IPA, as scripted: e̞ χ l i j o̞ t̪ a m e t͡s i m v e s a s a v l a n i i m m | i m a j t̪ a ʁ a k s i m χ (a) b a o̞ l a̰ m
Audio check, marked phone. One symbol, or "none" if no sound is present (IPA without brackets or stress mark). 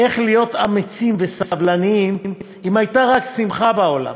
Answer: a